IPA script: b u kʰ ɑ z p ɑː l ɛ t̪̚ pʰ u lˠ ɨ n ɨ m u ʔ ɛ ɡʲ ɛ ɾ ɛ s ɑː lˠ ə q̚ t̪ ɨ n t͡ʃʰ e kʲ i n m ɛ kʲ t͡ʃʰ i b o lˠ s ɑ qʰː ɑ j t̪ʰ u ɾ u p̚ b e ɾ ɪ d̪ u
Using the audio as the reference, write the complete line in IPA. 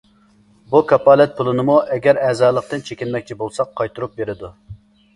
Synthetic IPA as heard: b u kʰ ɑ p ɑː l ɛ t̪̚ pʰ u lˠ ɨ n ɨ m u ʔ ɛ ɡʲ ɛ ɾ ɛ z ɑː lˠ ə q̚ t̪ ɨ n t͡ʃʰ e kʲ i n m ɛ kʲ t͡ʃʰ i b o lˠ s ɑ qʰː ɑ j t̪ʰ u ɾ u p̚ b e ɾ ɪ d̪ u